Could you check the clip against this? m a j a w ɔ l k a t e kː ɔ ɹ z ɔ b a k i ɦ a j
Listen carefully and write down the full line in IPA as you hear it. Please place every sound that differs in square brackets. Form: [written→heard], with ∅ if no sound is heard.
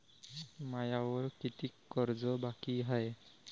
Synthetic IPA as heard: m a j a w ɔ [l→ɹ] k [a→i] t [e→i] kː ɔ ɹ z ɔ b a k i ɦ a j